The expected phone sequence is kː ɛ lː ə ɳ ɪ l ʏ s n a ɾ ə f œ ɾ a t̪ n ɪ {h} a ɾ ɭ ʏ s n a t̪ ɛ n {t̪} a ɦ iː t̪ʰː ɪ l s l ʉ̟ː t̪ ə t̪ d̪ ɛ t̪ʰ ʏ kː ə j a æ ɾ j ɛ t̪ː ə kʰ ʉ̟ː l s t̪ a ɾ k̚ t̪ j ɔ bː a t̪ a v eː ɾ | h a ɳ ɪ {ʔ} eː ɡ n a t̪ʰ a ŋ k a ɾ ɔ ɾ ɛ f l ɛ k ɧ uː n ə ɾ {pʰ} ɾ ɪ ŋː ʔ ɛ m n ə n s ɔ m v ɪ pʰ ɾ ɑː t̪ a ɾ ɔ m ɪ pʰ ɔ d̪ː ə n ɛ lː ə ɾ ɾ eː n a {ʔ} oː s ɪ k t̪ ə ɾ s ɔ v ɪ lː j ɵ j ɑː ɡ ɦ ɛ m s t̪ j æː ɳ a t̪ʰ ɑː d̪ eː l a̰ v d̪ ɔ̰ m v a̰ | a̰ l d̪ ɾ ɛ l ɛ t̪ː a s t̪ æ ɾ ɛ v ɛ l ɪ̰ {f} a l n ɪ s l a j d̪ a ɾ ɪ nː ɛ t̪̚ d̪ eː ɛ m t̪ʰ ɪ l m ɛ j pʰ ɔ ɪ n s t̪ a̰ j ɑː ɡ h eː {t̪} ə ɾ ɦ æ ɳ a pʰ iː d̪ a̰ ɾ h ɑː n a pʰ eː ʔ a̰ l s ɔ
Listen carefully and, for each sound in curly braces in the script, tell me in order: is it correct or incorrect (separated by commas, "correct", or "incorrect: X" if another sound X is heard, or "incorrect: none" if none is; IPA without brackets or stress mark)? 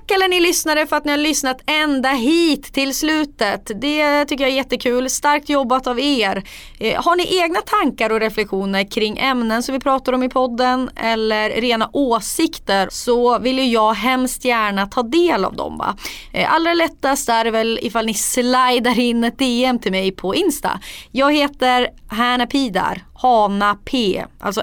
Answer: correct, incorrect: d̪, correct, incorrect: kʰ, correct, correct, correct